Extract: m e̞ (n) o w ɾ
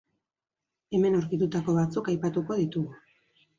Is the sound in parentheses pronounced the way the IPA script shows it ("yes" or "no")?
yes